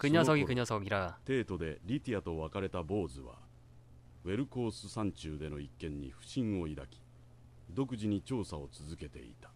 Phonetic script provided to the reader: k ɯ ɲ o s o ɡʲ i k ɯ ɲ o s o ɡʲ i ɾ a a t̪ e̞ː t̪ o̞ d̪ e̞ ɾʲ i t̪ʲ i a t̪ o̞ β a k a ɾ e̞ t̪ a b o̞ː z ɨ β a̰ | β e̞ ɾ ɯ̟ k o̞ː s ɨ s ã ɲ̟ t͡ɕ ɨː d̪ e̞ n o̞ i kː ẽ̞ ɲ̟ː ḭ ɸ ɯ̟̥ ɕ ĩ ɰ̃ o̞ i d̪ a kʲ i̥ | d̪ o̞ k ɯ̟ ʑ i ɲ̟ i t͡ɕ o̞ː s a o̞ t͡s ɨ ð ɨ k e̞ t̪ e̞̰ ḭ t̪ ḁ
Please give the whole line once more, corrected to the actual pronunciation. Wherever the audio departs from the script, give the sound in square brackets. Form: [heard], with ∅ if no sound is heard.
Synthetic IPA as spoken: k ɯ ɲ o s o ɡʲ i k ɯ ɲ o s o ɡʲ i ɾ a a t̪ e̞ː t̪ o̞ d̪ e̞ ɾʲ i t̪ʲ i a t̪ o̞ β a k a ɾ e̞ t̪ a b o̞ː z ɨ β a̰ | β e̞ ɾ ɯ̟ k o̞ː s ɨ s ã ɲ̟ t͡ɕ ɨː d̪ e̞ n o̞ i kː ẽ̞ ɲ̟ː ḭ ɸ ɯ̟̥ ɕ ĩ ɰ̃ o̞ i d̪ a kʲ i̥ | d̪ o̞ k ɯ̟ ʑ i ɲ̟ i t͡ɕ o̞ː s a o̞ t͡s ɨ [z] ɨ k e̞ t̪ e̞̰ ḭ t̪ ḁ